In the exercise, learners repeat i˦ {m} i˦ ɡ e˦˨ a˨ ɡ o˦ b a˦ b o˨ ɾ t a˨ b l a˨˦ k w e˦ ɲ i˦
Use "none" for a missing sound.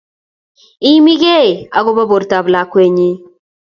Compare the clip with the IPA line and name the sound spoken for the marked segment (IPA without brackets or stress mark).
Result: m